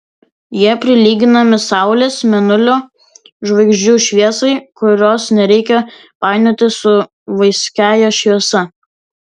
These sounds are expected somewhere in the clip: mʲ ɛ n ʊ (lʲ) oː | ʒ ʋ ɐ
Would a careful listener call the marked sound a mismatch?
no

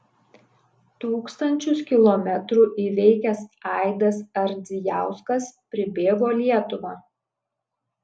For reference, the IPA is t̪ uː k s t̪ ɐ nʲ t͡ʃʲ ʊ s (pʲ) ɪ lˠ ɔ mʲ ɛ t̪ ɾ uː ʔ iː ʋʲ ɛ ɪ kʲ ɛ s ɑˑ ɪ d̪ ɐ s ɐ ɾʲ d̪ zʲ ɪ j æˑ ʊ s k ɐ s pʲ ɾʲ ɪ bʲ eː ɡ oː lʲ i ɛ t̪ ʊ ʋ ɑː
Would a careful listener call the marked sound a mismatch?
yes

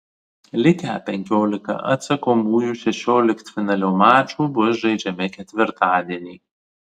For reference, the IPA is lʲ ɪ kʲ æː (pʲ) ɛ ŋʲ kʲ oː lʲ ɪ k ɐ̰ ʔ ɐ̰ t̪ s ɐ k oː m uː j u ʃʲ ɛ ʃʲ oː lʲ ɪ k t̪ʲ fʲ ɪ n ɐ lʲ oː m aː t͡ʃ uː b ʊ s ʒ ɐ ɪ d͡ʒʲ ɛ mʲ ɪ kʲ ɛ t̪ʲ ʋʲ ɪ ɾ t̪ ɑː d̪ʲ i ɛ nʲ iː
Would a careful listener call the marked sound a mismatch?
no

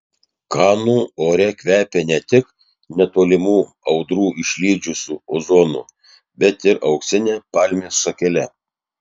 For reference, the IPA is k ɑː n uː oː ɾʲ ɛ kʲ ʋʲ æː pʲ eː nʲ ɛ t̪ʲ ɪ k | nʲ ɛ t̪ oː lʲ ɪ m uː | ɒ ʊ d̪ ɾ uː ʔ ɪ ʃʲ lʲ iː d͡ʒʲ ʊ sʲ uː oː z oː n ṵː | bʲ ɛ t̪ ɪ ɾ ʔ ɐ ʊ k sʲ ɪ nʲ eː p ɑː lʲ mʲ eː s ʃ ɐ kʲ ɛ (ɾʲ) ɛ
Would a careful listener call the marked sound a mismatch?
yes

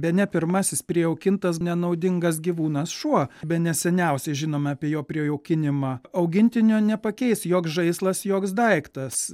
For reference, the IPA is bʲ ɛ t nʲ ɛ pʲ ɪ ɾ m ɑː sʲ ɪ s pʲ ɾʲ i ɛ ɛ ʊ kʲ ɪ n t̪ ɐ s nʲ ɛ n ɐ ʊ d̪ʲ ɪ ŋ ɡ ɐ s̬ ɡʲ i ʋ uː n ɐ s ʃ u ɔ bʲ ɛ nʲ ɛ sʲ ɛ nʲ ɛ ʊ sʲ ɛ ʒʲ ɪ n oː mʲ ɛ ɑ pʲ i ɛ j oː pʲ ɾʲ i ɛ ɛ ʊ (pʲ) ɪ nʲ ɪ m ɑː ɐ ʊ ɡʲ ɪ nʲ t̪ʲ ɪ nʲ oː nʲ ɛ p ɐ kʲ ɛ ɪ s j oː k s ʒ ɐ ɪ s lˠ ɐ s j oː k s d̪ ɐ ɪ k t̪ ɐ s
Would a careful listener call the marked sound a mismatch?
yes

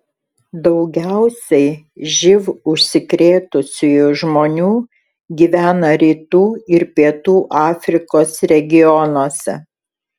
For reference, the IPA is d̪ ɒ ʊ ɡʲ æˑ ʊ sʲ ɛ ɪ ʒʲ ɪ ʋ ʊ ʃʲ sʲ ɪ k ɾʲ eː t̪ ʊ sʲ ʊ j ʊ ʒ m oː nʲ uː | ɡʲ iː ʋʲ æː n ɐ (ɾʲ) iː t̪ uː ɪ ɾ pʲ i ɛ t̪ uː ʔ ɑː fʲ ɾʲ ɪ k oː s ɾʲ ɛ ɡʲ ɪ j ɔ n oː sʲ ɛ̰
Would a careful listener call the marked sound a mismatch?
no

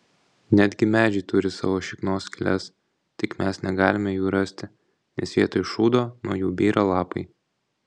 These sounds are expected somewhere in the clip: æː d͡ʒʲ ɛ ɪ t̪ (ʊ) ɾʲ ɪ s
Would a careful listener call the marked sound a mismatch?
no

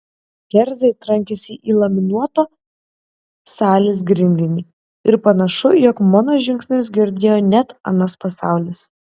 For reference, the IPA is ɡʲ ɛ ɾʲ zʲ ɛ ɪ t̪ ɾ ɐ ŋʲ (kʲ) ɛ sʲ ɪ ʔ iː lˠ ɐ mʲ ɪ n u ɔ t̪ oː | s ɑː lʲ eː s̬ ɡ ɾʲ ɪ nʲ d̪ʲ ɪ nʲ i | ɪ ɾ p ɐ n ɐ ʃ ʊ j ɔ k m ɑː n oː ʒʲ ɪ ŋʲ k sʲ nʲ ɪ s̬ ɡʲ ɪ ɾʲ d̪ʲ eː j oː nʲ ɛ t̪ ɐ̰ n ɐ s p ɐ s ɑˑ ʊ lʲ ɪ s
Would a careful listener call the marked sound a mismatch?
no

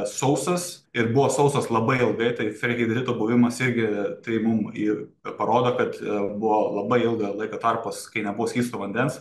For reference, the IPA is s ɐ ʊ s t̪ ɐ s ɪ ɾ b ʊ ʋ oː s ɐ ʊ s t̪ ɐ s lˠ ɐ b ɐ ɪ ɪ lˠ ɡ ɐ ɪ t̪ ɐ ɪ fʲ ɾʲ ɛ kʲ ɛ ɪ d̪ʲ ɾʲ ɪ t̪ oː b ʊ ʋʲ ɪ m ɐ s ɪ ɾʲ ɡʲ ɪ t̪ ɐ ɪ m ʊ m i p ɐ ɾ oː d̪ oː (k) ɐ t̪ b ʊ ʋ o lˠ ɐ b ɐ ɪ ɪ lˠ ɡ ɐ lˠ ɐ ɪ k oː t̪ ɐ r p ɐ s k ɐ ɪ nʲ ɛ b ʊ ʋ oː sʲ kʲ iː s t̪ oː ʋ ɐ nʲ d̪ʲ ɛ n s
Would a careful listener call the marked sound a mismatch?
no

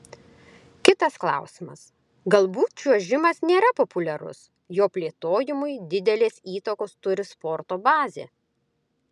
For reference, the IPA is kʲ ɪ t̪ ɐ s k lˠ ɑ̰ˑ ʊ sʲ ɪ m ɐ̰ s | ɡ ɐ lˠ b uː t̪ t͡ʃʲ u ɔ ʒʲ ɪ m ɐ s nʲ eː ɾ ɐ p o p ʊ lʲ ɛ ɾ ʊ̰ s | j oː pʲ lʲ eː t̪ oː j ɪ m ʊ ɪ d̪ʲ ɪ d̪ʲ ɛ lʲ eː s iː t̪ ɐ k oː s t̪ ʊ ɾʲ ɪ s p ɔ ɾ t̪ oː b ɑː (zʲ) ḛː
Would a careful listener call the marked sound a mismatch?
no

